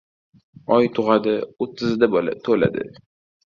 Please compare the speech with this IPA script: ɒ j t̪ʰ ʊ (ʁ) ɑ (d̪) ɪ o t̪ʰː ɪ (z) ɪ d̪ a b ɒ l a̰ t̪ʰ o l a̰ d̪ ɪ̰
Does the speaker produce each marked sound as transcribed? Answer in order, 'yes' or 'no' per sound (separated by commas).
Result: yes, yes, yes